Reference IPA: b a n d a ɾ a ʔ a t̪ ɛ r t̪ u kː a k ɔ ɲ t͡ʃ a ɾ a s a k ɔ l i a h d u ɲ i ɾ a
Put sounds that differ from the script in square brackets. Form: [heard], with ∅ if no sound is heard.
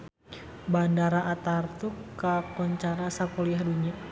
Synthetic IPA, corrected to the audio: b a n d a ɾ a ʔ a t̪ [a] r t̪ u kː a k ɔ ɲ t͡ʃ a ɾ a s a k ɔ l i a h d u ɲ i [∅] a